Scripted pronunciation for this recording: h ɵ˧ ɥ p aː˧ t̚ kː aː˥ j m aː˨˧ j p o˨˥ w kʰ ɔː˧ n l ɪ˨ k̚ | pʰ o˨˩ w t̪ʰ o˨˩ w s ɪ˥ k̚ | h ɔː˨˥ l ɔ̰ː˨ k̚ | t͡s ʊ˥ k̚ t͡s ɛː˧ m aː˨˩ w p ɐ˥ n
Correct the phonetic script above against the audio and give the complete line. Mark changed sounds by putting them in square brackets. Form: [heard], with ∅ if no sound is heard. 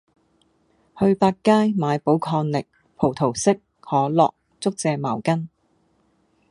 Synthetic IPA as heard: h ɵ˧ ɥ p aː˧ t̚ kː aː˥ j m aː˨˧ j p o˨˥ w kʰ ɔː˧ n l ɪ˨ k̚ | pʰ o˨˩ w t̪ʰ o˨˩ w s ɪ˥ k̚ | h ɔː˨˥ l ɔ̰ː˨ k̚ | t͡s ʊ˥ k̚ t͡s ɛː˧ m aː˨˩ w [k] ɐ˥ n